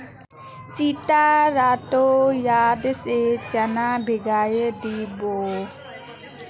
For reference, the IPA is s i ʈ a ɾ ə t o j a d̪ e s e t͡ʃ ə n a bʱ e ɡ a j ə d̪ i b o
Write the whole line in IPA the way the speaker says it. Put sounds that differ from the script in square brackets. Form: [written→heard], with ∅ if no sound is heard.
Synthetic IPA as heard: s i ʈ a ɾ [ə→a] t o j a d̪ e s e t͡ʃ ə n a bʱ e ɡ a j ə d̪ i b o